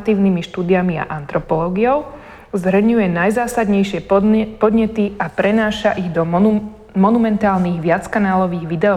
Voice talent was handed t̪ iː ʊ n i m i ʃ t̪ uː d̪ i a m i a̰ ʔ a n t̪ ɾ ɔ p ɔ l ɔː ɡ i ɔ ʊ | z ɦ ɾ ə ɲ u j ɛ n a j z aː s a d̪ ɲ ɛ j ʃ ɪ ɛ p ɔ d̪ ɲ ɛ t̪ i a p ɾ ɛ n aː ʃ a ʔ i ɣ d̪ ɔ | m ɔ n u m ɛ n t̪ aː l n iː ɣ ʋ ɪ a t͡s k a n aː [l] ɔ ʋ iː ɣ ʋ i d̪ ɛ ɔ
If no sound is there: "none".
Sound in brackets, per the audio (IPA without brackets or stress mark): l